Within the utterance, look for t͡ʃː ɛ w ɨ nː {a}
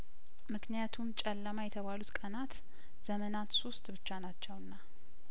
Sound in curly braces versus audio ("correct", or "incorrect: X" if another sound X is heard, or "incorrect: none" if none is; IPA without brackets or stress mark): correct